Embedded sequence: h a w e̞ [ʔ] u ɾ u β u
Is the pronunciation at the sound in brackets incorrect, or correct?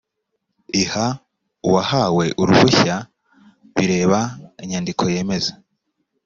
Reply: correct